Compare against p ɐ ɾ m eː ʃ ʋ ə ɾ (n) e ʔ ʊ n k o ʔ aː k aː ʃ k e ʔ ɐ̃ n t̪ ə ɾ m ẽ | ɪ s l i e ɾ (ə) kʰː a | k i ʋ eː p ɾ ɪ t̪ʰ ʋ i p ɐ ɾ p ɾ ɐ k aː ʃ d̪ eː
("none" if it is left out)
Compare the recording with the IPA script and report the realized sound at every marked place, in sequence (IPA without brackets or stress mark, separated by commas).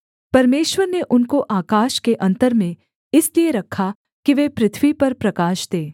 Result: n, ɐ